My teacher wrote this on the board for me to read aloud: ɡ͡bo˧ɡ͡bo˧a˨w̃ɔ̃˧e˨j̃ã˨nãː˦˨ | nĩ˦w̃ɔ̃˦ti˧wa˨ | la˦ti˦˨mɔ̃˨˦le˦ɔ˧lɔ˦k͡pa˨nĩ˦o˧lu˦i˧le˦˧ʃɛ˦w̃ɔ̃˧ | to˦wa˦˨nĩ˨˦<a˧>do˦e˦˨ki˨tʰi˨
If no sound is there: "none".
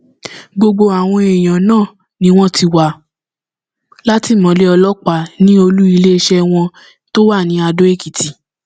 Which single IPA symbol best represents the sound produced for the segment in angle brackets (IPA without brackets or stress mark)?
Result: a˧